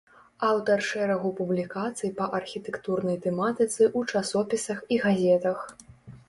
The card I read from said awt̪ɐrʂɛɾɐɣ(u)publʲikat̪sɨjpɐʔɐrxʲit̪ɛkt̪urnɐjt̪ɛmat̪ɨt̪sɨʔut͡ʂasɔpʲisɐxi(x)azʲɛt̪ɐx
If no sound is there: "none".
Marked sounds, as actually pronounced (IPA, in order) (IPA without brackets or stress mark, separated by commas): u, ɣ